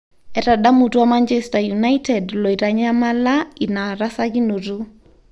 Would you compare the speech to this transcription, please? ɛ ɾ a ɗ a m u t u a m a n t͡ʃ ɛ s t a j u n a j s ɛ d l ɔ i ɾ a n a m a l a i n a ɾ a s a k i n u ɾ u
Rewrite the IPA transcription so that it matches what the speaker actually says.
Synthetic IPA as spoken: ɛ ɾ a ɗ a m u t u a m a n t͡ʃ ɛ s t a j u n a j t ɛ d l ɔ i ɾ a ɲ a m a l a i n a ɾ a s a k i n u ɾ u